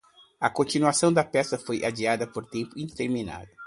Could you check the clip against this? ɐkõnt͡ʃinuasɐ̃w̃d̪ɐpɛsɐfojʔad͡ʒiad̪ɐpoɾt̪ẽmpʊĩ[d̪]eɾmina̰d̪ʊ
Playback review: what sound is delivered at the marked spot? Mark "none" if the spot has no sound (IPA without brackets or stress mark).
t̪